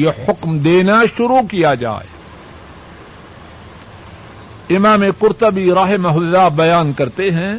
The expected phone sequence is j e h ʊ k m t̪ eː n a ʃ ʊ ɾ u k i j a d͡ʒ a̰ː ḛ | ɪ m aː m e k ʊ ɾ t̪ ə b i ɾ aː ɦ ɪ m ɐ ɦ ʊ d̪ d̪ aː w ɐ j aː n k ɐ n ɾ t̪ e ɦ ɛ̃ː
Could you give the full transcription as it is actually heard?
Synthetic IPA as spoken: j e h ʊ k m d̪ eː n a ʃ ʊ ɾ u k i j a d͡ʒ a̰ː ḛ | ɪ m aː m e k ʊ ɾ t̪ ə b i ɾ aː ɦ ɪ m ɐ ɦ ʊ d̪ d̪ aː b ɐ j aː n k ɐ ɾ t̪ e ɦ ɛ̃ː